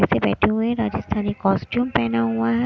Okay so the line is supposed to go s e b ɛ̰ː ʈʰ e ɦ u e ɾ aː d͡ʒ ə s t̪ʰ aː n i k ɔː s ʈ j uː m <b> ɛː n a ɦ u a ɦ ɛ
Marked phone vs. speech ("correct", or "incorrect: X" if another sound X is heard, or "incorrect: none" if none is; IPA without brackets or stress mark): incorrect: p